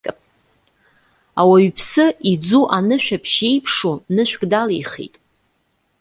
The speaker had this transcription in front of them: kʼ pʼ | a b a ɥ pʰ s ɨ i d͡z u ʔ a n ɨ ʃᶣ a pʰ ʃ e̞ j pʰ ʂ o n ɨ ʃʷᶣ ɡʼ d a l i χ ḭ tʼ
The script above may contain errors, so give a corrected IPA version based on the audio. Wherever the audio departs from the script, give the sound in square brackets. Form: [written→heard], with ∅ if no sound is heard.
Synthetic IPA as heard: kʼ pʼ | a [b→w] a ɥ pʰ s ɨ i d͡z u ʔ a n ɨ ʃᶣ a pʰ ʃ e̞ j pʰ ʂ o n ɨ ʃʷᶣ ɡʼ d a l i χ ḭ tʼ